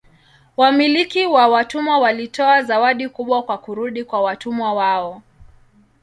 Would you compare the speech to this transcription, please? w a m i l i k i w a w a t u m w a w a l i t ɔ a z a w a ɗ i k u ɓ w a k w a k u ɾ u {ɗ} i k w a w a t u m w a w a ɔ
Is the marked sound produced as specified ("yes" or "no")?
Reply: yes